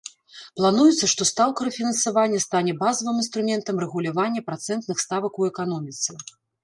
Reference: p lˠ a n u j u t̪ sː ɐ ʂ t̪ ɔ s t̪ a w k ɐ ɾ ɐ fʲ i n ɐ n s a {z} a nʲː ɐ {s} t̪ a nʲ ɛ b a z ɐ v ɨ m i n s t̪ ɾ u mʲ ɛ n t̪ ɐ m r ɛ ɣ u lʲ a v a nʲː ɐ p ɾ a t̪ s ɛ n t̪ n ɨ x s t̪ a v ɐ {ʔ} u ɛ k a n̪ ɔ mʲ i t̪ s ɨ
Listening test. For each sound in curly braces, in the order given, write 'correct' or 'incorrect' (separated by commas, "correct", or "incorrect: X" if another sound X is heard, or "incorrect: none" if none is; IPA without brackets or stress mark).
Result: incorrect: v, correct, incorrect: k